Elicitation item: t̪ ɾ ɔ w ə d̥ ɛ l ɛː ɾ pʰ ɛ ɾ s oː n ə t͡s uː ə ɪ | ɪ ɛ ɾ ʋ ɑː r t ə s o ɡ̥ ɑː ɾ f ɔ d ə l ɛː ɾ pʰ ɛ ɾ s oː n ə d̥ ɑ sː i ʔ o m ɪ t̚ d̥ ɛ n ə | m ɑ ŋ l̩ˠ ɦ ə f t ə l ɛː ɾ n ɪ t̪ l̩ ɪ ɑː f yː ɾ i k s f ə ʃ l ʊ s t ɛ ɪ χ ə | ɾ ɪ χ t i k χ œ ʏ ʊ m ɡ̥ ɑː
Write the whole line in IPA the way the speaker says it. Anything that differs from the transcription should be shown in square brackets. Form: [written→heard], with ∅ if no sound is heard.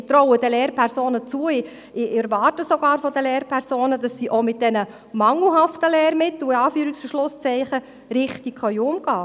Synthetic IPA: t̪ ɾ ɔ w ə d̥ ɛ l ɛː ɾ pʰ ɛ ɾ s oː n ə t͡s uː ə ɪ | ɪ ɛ ɾ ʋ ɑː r t ə s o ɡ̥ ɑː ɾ f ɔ d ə l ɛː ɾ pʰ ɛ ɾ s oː n ə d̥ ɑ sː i ʔ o m ɪ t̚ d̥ ɛ n ə | m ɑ ŋ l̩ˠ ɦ [ə→ɑ] f t ə l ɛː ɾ [n→m] ɪ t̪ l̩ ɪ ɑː f yː ɾ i k s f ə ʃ l ʊ s [t→t͡s] ɛ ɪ χ ə | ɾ ɪ χ t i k χ œ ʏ ʊ m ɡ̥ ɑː